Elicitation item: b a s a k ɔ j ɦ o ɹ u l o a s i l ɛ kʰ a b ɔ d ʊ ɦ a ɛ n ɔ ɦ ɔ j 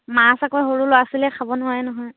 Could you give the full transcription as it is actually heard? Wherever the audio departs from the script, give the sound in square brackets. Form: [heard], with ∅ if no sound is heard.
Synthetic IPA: [m] a s a k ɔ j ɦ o ɹ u l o a s i l ɛ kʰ a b ɔ [n] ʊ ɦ a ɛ n ɔ ɦ ɔ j